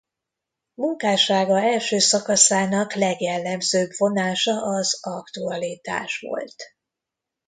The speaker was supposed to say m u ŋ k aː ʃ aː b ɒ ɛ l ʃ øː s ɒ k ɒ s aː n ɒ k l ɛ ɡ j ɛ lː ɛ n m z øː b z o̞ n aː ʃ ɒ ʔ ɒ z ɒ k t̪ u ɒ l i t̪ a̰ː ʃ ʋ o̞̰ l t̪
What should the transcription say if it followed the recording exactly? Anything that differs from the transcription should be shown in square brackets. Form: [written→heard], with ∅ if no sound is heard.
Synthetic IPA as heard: m u ŋ k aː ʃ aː [b→ɡ] ɒ ɛ l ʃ øː s ɒ k ɒ s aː n ɒ k l ɛ ɡ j ɛ lː ɛ [n→∅] m z øː b [z→v] o̞ n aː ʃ ɒ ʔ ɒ z ɒ k t̪ u ɒ l i t̪ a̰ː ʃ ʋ o̞̰ l t̪